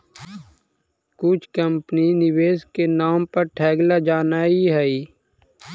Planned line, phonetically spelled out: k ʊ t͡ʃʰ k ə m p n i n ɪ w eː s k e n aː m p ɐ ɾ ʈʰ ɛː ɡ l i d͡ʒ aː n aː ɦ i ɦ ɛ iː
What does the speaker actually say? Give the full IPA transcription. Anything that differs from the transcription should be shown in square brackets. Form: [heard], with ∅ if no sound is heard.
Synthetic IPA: k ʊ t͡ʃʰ k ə m p n i n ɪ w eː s k e n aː m p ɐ ɾ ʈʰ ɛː ɡ l [a] d͡ʒ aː n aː [∅] i ɦ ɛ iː